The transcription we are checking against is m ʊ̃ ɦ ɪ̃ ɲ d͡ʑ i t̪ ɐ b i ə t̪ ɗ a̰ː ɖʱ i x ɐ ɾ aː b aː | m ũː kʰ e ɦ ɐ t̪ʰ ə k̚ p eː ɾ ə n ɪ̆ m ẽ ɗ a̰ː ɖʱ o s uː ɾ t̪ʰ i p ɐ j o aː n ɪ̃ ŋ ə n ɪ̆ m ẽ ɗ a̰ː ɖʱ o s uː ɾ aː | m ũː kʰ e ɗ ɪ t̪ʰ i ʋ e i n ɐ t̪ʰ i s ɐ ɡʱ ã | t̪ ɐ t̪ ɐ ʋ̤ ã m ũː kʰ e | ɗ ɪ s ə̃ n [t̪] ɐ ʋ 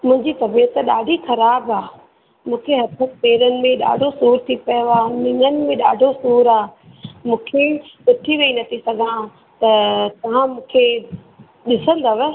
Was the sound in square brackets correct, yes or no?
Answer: no